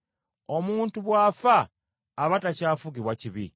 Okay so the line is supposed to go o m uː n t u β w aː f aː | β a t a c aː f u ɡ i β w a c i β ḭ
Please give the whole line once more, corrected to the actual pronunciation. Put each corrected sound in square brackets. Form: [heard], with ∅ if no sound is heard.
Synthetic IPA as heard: o m uː n t u β w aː f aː | β a t a c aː f u ɡ i β w a c i β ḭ